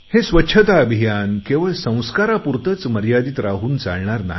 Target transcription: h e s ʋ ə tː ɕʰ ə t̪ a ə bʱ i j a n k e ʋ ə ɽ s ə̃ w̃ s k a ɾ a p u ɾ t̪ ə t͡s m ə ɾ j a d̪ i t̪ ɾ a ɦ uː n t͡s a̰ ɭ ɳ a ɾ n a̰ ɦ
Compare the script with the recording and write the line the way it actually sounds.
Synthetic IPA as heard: h e s ʋ ə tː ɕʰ ə t̪ a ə bʱ i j a n k e ʋ ə ɭ s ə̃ w̃ s k a ɾ a p u ɾ t̪ ə t͡s m ə ɾ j a d̪ i t̪ ɾ a ɦ uː n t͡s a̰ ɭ ɳ a ɾ n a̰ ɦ